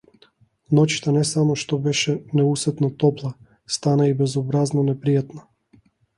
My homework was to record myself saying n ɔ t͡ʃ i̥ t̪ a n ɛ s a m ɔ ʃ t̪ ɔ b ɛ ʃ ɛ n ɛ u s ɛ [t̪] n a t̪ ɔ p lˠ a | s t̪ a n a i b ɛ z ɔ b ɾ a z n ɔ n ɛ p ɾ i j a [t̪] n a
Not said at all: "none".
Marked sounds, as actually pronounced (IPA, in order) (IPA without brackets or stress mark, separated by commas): t̪, t̪